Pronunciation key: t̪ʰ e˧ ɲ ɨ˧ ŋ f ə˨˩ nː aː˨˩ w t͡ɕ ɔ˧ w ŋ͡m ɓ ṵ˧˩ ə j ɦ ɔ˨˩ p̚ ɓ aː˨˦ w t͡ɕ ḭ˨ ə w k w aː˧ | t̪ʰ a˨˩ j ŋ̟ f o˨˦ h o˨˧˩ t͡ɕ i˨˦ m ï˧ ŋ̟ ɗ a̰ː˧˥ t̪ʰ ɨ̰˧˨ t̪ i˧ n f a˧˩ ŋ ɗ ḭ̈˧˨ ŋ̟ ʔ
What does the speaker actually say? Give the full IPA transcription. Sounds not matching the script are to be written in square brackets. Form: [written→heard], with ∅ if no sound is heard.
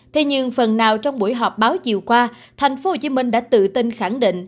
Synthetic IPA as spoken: t̪ʰ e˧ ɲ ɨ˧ ŋ f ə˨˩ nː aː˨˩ w t͡ɕ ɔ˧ w ŋ͡m ɓ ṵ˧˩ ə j ɦ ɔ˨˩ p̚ ɓ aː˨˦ w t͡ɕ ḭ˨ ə w k w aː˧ | t̪ʰ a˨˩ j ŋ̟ f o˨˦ h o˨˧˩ t͡ɕ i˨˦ m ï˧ ŋ̟ ɗ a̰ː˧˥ [t̪ʰ→t̪] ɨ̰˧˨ t̪ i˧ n [f→x] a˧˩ ŋ ɗ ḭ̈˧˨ ŋ̟ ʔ